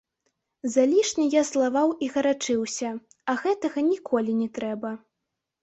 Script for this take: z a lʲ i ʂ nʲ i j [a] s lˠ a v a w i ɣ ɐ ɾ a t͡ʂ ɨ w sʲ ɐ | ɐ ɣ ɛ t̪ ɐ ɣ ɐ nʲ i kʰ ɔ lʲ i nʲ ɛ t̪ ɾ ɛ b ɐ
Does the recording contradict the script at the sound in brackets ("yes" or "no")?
no